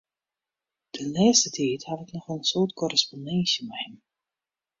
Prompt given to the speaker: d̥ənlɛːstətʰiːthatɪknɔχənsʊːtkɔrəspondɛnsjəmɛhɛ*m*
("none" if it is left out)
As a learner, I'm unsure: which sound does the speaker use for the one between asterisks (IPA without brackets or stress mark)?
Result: m